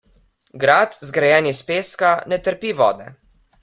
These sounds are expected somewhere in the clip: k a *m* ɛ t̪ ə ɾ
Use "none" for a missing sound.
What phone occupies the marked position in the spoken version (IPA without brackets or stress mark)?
n